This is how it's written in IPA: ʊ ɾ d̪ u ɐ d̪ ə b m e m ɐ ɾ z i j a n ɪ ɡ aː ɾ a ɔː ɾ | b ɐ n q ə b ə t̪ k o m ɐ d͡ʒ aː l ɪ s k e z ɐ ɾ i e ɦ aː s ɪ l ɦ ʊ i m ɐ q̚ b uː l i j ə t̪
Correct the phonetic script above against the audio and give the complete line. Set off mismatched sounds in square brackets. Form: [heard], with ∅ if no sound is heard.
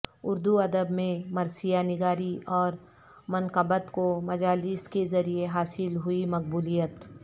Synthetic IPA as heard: ʊ ɾ d̪ u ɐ d̪ ə b m [ẽ] m ɐ ɾ [s] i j a n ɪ ɡ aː ɾ [i] ɔː ɾ | [m] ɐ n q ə b ə t̪ k o m ɐ d͡ʒ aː l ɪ s k e z ɐ ɾ i e ɦ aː s ɪ l ɦ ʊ i m ɐ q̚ b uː l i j ə t̪